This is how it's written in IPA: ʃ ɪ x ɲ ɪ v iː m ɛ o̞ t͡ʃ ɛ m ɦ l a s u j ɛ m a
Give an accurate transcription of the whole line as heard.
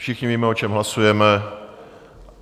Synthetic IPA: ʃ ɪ x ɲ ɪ v iː m ɛ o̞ t͡ʃ ɛ m ɦ l a s u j ɛ m ɛ